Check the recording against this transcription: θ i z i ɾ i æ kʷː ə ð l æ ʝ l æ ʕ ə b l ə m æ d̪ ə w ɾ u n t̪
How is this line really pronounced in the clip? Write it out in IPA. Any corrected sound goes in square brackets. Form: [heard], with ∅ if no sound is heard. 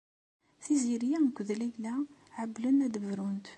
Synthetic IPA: θ i z i ɾ [j] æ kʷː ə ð l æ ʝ l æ ʕ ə b l ə [n] æ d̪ ə [v] ɾ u n t̪